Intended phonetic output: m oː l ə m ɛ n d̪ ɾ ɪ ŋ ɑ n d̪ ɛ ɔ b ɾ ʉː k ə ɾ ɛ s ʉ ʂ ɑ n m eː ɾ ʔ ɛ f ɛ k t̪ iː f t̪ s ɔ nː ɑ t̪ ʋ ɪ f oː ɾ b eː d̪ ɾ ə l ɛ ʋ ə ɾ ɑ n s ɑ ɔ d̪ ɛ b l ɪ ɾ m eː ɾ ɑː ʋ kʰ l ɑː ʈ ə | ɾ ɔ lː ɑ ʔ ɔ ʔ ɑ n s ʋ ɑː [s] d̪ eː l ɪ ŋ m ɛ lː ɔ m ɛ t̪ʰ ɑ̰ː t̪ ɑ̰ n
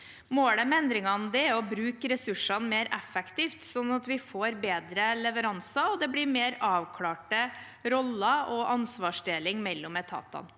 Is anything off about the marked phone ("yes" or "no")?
yes